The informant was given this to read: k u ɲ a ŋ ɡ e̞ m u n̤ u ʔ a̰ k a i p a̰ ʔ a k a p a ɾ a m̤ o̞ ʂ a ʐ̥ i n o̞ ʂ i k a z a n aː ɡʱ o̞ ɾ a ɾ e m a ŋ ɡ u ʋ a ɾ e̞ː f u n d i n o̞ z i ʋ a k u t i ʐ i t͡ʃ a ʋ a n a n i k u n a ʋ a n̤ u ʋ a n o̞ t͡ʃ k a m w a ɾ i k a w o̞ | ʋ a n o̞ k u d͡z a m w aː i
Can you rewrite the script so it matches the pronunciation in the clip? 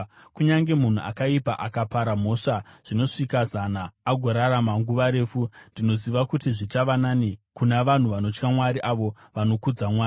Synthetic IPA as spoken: k u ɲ a ŋ ɡ e̞ m u n̤ u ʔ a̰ k a i p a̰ ʔ a k a p a ɾ a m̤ o̞ ʂ a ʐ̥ i n o̞ ʂ i k a z a n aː ɡʱ o̞ ɾ a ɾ a m a ŋ ɡ u ʋ a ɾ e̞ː f u n d i n o̞ z i ʋ a k u t i ʐ i t͡ʃ a ʋ a n a n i k u n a ʋ a n̤ u ʋ a n o̞ t͡ʃ k a m w a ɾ i ʔ a ʋ o̞ | ʋ a n o̞ k u d͡z a m w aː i